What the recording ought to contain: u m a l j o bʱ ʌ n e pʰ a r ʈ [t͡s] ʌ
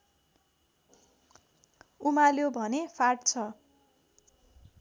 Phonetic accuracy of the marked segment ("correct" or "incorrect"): incorrect